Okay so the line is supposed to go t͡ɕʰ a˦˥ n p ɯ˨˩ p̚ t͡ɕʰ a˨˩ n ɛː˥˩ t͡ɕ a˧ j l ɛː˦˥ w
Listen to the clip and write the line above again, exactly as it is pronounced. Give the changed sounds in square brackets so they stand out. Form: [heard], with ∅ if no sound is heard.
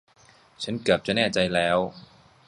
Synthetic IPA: t͡ɕʰ a˦˥ n [k] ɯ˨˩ p̚ [t͡ɕ] a˨˩ n ɛː˥˩ t͡ɕ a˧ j l ɛː˦˥ w